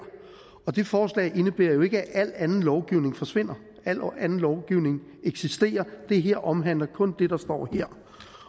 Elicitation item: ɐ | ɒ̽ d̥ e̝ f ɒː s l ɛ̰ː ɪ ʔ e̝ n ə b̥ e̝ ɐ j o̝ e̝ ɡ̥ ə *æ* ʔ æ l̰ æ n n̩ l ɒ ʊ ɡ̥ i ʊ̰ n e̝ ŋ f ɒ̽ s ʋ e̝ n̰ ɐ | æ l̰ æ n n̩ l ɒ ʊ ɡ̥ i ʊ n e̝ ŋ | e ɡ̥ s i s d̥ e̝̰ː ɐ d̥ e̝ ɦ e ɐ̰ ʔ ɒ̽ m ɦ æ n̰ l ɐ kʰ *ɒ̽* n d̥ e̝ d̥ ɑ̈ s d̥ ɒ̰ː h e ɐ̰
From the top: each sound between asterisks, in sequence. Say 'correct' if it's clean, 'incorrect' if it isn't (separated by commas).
correct, incorrect